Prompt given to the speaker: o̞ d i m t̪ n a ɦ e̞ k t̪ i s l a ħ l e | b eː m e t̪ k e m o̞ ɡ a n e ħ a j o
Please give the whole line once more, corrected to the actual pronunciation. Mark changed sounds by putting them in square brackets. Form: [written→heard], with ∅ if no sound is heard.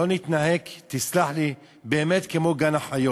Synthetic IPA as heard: o̞ [d→n] i [m→∅] t̪ n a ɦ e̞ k t̪ i s l a ħ l [e→i] | b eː m e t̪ k e m o̞ ɡ a n [e→a] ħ a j o